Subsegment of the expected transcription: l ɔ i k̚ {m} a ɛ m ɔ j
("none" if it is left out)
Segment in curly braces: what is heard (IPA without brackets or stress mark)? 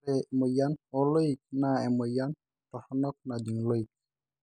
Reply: n